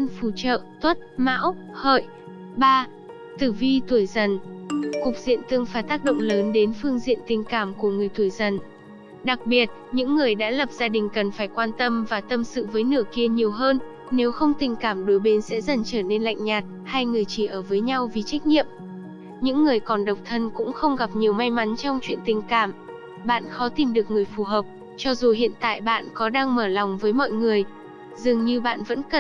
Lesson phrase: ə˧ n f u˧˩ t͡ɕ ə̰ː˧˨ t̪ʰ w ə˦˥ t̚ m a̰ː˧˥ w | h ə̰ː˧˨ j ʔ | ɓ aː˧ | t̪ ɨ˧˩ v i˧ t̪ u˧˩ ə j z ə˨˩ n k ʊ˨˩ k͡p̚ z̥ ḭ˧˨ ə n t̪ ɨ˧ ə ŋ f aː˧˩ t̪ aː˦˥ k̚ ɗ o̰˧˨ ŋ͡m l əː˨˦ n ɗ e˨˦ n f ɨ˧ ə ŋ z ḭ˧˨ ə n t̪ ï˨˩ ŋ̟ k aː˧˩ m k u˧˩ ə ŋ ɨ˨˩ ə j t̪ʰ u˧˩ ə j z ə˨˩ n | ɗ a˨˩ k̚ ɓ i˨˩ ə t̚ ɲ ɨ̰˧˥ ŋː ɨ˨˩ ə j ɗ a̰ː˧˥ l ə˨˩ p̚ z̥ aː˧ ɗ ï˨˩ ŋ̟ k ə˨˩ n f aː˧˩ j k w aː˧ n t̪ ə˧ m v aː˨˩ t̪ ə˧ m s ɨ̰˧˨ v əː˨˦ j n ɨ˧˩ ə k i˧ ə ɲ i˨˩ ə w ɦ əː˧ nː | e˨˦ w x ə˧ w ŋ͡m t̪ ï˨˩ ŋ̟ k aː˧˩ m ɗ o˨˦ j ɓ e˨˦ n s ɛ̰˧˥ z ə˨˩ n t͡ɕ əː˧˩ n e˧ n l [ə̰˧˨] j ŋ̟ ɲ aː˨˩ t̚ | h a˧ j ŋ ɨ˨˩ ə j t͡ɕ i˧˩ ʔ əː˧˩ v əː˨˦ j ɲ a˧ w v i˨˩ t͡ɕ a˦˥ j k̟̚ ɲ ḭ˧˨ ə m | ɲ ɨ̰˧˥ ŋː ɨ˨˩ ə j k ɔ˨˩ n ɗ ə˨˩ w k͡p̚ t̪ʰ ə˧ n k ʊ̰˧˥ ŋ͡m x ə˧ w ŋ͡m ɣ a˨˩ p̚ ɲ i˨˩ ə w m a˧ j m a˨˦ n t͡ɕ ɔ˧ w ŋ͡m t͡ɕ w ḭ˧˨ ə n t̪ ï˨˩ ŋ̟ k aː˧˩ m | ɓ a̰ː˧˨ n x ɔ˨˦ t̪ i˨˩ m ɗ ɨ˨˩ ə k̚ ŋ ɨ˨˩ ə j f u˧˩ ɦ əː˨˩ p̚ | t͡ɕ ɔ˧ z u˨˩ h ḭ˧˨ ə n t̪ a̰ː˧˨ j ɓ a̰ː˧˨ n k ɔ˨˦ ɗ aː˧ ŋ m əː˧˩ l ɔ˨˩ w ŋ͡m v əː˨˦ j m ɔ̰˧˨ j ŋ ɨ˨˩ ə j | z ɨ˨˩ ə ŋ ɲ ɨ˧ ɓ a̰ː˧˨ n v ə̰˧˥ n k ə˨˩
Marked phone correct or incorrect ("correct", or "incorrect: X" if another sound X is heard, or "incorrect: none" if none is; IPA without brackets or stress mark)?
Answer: incorrect: a̰˧˨